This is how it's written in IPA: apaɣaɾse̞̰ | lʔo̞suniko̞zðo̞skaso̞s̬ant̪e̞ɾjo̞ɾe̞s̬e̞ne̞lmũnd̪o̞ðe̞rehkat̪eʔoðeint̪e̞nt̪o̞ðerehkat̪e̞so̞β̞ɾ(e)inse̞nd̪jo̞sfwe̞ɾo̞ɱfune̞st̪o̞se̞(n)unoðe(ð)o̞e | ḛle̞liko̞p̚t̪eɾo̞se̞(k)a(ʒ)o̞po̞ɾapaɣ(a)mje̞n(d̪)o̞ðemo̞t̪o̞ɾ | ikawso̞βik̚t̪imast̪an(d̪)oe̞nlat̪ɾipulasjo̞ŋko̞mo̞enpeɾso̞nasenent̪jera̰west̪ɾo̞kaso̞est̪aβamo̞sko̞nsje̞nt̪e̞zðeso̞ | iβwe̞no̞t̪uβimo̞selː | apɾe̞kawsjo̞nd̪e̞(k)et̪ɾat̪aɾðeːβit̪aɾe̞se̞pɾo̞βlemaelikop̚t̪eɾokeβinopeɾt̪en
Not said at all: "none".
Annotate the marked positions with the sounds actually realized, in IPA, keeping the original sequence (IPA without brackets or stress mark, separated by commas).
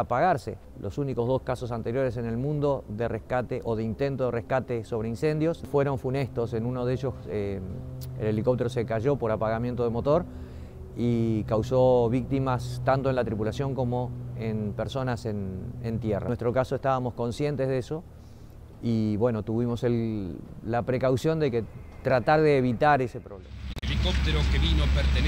e, n, ʒ, k, ʒ, a, t̪, t̪, k